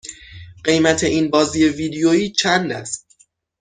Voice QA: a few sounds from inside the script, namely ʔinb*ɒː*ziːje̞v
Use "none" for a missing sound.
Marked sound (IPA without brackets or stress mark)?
ɒː